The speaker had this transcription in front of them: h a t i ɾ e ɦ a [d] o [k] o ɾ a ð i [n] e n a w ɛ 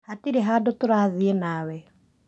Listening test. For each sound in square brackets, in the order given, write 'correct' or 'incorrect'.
correct, incorrect: t, incorrect: none

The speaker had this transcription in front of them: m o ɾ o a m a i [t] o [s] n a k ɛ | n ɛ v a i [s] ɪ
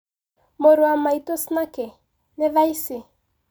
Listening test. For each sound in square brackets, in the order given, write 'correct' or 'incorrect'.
correct, correct, correct

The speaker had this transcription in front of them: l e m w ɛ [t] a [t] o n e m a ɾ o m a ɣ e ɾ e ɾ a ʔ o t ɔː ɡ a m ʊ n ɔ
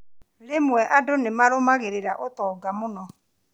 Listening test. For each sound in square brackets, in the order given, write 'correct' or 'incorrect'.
incorrect: ʔ, incorrect: d

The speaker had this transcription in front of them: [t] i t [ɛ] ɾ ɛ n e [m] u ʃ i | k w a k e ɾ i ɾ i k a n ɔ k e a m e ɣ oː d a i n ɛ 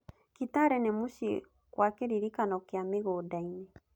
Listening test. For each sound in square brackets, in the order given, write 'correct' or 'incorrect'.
incorrect: k, incorrect: a, correct

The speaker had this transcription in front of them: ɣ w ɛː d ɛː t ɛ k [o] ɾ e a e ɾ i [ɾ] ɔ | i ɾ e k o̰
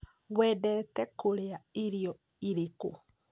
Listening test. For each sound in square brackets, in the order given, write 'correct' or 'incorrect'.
correct, incorrect: none

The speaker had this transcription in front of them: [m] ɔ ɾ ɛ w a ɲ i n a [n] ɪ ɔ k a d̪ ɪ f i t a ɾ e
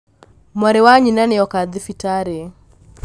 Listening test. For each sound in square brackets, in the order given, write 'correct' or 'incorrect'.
correct, correct

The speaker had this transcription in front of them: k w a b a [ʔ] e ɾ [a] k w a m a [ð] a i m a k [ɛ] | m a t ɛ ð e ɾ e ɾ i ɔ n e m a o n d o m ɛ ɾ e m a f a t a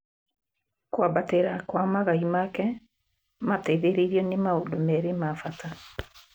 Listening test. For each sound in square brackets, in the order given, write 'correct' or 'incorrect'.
incorrect: t, correct, incorrect: ɣ, correct

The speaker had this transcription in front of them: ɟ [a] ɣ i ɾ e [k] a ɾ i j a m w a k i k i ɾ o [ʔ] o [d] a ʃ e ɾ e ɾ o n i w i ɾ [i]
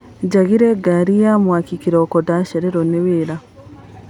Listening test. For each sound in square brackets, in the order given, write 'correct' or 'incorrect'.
correct, incorrect: ɡ, incorrect: k, correct, incorrect: a

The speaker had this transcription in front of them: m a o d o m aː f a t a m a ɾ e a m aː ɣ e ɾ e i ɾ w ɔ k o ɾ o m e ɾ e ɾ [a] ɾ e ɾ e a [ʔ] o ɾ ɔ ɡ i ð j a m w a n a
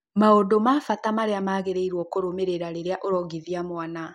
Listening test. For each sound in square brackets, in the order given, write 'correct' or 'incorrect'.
correct, correct

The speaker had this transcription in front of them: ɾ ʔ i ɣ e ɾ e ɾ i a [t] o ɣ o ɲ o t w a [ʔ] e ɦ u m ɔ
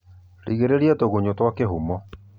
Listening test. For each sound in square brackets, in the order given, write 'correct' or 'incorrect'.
correct, incorrect: k

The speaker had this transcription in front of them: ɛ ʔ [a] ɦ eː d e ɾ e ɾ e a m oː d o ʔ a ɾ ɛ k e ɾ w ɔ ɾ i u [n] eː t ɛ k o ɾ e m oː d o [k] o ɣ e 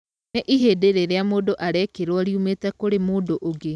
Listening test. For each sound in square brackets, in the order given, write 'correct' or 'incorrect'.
incorrect: i, incorrect: m, incorrect: ʔ

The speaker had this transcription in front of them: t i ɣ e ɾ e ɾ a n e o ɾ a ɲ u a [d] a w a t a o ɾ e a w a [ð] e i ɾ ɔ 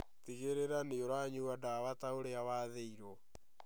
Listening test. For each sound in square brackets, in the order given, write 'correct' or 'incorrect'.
correct, correct

